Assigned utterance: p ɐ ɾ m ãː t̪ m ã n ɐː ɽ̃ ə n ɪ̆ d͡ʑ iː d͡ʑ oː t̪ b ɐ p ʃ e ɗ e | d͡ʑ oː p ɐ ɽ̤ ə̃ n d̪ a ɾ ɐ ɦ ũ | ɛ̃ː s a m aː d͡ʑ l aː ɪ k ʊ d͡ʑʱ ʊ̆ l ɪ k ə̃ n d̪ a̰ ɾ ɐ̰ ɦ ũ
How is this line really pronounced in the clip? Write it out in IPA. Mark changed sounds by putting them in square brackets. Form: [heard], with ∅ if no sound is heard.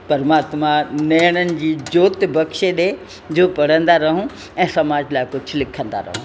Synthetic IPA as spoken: p ɐ ɾ m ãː t̪ m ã n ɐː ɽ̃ ə n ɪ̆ d͡ʑ iː d͡ʑ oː t̪ b ɐ [k] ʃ e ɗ e | d͡ʑ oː p ɐ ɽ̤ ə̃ n d̪ a ɾ ɐ ɦ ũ | ɛ̃ː s [ɐ] m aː d͡ʑ l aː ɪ k ʊ d͡ʑʱ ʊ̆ l ɪ [kʰ] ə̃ n d̪ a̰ ɾ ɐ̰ ɦ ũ